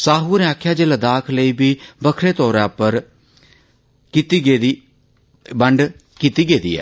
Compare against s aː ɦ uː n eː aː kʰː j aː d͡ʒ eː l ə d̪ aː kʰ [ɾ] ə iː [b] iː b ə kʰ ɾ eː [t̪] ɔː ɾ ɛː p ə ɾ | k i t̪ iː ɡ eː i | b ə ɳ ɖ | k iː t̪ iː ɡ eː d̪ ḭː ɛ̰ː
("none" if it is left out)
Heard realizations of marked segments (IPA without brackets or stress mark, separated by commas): l, b, t̪